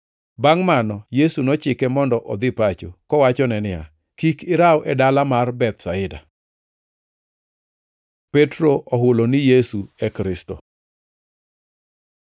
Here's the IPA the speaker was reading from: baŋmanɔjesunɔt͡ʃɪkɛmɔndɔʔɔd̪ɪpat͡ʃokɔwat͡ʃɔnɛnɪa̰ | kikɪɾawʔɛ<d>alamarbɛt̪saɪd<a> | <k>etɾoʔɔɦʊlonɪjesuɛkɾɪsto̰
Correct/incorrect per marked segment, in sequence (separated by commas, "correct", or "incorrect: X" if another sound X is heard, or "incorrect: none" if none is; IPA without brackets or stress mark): correct, correct, incorrect: p